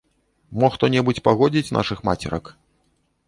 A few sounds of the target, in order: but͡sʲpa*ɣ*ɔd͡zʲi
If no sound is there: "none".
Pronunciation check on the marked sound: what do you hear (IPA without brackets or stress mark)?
ɣ